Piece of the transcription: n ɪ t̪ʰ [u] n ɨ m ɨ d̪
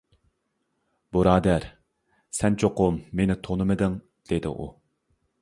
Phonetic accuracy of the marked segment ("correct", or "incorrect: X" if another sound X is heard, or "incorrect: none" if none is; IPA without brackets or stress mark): incorrect: o